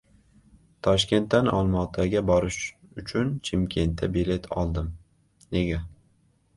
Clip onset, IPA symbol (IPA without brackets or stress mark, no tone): t̪ʰ